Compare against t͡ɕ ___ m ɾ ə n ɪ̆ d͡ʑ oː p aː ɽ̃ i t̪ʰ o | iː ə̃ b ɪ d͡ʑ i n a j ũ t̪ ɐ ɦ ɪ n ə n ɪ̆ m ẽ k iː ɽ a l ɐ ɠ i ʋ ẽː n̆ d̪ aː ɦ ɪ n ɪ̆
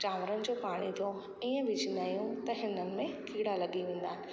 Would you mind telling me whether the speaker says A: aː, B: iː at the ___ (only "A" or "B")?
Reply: A